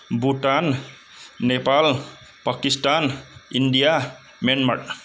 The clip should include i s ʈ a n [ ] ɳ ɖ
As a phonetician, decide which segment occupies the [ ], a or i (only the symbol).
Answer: i